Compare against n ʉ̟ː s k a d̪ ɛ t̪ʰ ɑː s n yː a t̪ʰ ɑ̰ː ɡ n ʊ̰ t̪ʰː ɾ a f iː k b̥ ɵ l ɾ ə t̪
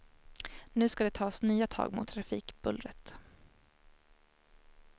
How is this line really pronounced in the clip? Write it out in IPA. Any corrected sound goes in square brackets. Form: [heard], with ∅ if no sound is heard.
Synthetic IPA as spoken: n ʉ̟ː s k a d̪ ɛ t̪ʰ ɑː s n yː a t̪ʰ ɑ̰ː ɡ [m] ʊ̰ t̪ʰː ɾ a f iː k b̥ ɵ l ɾ ə t̪